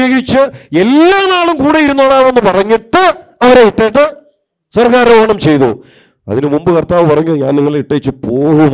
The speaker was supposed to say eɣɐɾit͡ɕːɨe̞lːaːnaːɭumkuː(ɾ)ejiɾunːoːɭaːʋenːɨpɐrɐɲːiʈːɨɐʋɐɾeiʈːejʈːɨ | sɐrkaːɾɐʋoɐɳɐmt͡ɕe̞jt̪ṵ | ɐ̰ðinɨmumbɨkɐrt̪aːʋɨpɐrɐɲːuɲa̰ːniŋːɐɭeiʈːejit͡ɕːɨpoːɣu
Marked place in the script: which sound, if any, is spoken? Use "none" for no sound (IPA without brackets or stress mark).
ɽ